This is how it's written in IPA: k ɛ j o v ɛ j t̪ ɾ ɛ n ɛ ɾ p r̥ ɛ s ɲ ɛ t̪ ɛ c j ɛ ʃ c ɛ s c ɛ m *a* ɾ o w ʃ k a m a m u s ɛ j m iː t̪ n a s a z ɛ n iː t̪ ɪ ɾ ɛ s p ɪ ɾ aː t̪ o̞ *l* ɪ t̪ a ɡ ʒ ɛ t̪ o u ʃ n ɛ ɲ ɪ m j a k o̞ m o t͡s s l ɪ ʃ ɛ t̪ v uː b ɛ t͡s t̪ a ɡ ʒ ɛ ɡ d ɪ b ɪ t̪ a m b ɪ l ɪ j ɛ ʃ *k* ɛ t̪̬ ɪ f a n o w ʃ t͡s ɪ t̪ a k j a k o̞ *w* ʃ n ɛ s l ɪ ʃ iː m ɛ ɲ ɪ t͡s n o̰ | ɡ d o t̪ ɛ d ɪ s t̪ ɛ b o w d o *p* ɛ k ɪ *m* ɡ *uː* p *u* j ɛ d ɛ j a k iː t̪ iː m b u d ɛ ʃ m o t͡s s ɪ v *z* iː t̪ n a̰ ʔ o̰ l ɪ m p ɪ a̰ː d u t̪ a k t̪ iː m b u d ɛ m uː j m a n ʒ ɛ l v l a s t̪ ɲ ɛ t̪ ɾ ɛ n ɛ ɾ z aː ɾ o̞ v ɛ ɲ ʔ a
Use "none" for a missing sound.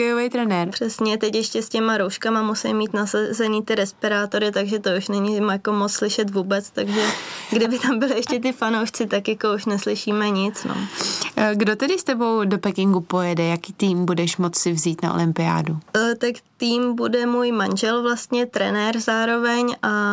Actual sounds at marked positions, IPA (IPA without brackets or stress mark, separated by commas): a, ɾ, c, u, p, ŋ, u, o, z